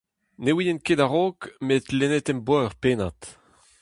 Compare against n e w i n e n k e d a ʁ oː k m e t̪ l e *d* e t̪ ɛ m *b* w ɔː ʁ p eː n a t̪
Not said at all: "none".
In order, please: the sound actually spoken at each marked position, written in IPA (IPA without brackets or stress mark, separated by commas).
n, b